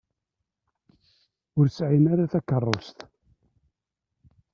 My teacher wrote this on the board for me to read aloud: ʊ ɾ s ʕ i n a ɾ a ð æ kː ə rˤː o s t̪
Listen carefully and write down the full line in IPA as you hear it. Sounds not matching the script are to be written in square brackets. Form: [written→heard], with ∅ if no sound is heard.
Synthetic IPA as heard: ʊ ɾ s ʕ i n a ɾ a [ð→θ] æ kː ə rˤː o s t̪